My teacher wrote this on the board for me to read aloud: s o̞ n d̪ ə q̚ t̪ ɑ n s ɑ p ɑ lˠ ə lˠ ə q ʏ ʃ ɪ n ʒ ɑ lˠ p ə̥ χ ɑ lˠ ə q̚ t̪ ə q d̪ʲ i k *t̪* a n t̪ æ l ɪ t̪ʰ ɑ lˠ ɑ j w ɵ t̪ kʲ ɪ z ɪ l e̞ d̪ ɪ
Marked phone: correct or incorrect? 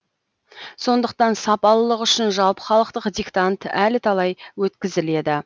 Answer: correct